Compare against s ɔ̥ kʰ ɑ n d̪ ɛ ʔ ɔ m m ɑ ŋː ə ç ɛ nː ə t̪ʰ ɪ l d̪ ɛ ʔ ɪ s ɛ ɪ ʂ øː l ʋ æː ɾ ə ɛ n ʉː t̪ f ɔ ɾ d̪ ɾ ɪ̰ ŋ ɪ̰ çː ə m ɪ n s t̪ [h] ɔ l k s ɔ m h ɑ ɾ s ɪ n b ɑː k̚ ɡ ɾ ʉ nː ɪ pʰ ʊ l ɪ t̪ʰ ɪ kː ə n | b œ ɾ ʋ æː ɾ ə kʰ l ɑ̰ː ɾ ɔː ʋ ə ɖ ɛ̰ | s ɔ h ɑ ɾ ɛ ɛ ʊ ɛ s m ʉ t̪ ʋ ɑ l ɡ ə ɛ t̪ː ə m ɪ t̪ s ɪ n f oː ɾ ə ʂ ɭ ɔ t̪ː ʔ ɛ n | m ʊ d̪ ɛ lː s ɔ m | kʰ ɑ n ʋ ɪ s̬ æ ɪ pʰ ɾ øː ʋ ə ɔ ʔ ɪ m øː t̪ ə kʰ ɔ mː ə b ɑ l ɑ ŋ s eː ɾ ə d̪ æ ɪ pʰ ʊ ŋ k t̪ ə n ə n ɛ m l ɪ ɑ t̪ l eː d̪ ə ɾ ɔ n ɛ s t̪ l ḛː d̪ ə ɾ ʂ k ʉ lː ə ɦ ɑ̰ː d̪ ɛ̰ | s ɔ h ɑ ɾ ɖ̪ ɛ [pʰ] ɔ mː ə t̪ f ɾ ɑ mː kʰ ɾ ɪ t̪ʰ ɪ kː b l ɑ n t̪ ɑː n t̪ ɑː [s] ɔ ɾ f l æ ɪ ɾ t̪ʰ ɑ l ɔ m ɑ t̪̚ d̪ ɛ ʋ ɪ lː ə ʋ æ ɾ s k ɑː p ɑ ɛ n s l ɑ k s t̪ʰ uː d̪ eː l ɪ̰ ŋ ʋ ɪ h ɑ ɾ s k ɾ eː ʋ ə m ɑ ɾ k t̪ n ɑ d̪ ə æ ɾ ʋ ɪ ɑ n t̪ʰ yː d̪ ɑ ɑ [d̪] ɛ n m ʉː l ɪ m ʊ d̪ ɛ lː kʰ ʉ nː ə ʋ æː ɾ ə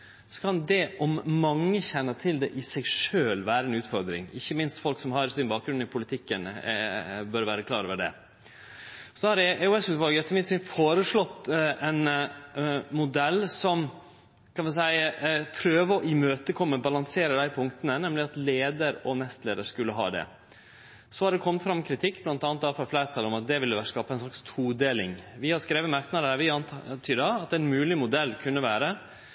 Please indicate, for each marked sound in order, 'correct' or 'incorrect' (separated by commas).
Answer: incorrect, incorrect, incorrect, incorrect